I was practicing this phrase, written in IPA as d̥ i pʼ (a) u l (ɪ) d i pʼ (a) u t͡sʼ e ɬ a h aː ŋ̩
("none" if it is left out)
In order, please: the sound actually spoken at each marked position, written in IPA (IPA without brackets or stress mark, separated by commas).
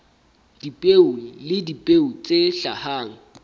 e, ɪ, e